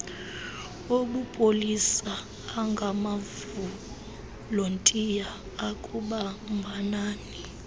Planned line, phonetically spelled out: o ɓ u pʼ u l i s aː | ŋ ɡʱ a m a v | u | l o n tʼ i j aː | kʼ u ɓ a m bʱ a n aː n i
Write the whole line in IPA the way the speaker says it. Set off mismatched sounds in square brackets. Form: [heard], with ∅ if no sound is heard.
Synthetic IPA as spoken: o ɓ u pʼ [o] l i s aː | ŋ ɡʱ a m a v | u | l o n tʼ i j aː | kʼ u ɓ a m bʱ a n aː n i